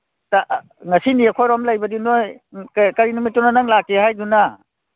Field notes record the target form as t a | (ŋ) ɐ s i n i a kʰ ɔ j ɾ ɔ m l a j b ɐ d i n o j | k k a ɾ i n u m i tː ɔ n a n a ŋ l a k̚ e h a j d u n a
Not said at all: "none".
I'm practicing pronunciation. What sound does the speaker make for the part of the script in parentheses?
ŋ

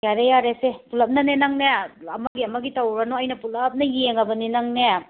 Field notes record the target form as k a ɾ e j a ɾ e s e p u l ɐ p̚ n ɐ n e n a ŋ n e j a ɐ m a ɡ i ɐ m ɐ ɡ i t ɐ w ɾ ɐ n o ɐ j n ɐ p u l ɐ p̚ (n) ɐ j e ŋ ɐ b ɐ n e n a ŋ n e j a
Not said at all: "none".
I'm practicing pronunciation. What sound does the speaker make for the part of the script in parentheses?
n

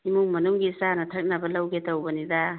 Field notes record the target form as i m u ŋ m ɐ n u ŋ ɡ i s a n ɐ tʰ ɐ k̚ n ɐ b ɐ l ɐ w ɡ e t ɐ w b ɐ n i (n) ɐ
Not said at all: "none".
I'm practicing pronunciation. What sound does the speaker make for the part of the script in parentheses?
d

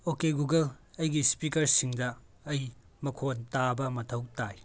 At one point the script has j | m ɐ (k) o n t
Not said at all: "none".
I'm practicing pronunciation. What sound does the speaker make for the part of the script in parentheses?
kʰ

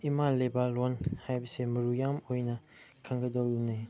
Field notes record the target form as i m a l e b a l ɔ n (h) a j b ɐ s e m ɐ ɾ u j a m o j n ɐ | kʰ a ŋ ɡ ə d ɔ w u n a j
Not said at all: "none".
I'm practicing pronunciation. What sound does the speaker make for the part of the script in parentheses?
h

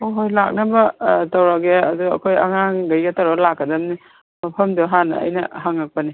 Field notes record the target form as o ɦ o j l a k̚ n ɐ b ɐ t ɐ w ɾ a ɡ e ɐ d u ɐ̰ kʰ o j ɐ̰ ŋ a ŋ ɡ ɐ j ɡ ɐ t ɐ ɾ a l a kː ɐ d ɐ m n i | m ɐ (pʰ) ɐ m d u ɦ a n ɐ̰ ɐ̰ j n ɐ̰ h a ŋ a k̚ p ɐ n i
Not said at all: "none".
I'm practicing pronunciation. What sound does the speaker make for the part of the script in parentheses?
pʰ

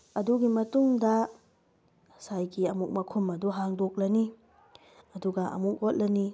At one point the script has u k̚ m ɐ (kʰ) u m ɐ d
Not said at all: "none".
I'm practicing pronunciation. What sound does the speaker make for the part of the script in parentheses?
kʰ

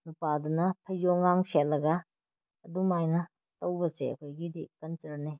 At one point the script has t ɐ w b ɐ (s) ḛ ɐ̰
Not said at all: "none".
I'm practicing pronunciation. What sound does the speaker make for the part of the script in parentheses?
s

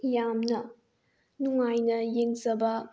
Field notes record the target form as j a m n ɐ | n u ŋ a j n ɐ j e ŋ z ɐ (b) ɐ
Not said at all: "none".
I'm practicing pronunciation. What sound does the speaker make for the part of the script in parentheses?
b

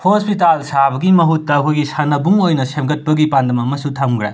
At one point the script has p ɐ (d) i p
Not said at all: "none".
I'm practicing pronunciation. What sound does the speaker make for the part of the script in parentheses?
ɡ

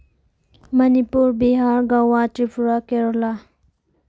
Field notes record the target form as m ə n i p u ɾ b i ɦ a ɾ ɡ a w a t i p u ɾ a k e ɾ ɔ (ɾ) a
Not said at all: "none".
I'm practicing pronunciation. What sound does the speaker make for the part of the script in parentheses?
l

